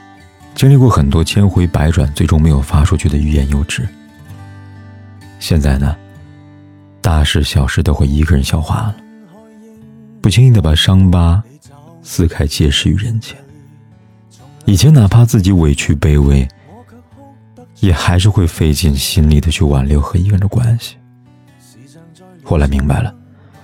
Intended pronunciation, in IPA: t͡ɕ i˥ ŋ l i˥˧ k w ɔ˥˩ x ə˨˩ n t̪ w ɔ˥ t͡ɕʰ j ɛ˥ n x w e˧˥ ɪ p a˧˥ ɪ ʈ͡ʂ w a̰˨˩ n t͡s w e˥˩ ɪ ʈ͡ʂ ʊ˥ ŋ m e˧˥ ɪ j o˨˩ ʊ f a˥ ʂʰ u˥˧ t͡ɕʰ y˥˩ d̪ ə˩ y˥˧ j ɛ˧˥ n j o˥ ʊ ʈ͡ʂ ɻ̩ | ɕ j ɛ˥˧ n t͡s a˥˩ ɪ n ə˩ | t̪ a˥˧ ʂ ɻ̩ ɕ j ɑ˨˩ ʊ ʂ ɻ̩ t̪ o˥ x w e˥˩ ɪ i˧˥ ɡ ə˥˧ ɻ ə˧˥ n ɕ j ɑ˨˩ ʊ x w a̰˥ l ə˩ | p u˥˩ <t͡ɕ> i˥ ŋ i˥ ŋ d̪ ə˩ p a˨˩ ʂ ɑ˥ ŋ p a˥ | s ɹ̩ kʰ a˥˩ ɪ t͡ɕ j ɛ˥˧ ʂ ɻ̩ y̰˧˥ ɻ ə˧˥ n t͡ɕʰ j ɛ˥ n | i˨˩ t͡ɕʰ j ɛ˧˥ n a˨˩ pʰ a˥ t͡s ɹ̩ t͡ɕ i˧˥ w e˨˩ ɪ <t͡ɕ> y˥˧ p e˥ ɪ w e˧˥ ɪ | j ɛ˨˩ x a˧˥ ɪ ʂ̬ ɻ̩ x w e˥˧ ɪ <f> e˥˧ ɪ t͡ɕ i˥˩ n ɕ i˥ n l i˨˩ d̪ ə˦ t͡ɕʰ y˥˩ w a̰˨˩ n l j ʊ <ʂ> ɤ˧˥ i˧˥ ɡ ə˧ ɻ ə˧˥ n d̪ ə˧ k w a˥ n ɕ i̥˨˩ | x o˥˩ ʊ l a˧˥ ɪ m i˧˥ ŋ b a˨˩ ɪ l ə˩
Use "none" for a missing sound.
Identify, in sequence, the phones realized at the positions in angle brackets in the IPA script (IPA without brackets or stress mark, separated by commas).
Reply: t͡ɕʰ, t͡ɕʰ, f, x